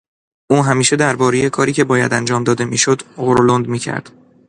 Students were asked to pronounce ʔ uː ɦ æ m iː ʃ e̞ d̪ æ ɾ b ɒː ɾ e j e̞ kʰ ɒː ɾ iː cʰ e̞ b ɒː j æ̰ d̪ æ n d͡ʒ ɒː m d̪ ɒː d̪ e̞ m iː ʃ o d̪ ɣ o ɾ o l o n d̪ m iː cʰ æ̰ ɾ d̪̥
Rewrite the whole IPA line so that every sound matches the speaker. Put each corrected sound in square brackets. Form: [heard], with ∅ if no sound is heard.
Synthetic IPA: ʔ uː ɦ æ m iː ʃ e̞ d̪ æ ɾ b ɒː ɾ e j e̞ kʰ ɒː ɾ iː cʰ e̞ b ɒː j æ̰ d̪ æ n d͡ʒ ɒː m d̪ ɒː d̪ e̞ m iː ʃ o d̪ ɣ o ɾ o l o n d̪ m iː cʰ æ̰ ɾ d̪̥